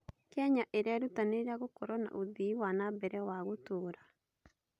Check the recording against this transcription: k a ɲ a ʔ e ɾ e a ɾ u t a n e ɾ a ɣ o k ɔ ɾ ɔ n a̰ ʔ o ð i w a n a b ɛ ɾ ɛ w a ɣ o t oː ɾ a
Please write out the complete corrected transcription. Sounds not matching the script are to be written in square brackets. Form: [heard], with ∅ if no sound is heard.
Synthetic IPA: k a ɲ a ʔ e ɾ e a ɾ u t a n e ɾ a ɣ o k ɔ ɾ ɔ n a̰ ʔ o ð i w a n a b ɛ ɾ ɛ w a ɣ o t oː ɾ a